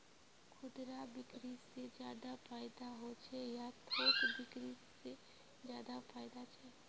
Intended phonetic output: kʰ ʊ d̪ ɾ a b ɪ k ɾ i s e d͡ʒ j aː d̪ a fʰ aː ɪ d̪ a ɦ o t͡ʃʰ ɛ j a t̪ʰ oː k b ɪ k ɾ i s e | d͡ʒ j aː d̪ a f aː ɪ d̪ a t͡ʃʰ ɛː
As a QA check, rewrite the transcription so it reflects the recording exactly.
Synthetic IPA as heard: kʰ ʊ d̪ ɾ a b ɪ k ɾ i s e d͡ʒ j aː d̪ a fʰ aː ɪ d̪ a ɦ o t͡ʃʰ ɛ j a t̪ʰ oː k b ɪ k ɾ i s e | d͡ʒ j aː d̪ a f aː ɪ d̪ a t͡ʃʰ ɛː